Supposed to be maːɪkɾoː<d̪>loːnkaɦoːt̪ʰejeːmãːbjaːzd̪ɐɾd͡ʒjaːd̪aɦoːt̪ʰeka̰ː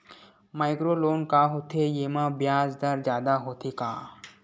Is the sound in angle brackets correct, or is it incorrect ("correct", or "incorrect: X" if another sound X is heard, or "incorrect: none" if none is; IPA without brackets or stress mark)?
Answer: incorrect: none